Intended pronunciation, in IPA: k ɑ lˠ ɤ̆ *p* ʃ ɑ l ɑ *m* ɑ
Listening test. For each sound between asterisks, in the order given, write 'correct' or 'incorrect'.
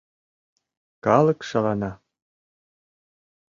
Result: incorrect: k, incorrect: n

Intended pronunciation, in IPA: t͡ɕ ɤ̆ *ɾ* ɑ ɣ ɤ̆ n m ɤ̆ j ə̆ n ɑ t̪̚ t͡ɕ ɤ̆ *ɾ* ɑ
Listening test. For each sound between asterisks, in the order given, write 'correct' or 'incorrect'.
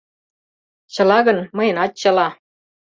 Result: incorrect: l, incorrect: l

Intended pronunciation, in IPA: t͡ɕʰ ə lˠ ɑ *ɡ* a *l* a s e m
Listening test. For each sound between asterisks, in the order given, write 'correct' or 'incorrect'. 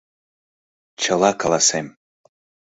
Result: incorrect: k, correct

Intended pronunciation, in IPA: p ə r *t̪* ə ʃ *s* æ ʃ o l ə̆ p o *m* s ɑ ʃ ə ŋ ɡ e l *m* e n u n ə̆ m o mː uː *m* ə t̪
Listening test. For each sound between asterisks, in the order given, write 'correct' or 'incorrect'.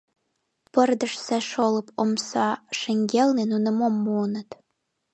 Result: incorrect: d̪, correct, correct, incorrect: n, incorrect: n

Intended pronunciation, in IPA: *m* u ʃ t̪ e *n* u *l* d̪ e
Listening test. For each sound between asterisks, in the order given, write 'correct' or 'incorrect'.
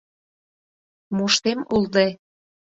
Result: correct, incorrect: m, correct

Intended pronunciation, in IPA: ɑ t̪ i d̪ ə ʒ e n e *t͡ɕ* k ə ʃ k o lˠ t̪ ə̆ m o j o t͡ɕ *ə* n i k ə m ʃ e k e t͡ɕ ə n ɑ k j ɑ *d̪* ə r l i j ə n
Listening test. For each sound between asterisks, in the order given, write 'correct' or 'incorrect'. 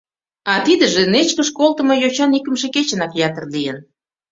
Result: correct, incorrect: ɑ, incorrect: t̪

